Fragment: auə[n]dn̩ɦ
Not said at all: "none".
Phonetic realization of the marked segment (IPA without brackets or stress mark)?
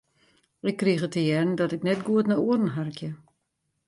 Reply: none